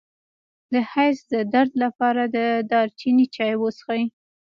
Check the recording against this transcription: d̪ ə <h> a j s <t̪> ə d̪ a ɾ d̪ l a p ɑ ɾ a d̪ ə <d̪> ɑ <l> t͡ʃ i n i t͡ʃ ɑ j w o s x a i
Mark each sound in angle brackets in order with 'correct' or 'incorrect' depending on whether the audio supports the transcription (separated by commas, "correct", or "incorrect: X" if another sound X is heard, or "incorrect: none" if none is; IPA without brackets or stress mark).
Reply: correct, incorrect: d̪, correct, incorrect: ɾ